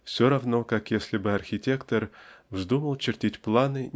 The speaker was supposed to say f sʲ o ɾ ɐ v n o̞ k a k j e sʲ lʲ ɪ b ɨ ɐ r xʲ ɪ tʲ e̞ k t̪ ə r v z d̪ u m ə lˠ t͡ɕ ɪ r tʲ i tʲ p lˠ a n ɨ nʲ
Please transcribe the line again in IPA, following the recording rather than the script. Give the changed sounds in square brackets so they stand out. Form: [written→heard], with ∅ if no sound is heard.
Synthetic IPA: f sʲ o ɾ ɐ v n o̞ k a k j e sʲ lʲ ɪ b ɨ ɐ r xʲ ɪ tʲ e̞ k t̪ ə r v z d̪ u m ə lˠ t͡ɕ ɪ r tʲ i tʲ p lˠ a n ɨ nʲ